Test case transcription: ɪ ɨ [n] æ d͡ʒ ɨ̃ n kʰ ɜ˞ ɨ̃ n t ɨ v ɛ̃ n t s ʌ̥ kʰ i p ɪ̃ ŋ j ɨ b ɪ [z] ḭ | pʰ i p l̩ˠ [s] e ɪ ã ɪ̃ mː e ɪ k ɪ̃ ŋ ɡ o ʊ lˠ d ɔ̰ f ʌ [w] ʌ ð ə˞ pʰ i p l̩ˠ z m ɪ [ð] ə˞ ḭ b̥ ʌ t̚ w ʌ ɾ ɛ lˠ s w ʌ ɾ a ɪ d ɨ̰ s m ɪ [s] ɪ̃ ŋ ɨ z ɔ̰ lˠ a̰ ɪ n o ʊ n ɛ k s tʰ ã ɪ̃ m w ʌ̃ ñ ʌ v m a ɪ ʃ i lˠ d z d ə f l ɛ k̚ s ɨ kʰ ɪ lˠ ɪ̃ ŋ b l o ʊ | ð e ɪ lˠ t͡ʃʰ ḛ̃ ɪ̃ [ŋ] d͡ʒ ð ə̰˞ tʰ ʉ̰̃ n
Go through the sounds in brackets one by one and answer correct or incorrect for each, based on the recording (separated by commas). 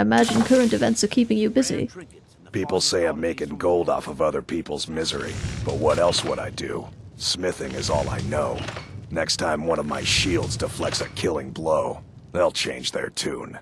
incorrect, correct, correct, incorrect, incorrect, incorrect, incorrect